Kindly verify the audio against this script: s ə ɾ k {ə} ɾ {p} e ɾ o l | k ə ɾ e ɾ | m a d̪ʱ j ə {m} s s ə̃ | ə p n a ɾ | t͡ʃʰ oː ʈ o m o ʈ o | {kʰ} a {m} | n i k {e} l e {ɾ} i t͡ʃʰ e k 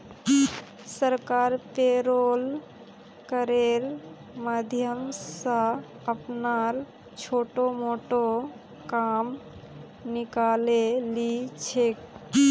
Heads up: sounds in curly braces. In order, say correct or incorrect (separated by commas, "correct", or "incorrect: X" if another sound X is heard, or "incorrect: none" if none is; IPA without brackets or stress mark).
incorrect: a, correct, correct, incorrect: k, correct, incorrect: a, incorrect: l